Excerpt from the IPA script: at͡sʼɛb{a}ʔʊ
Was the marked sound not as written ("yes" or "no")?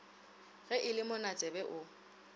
yes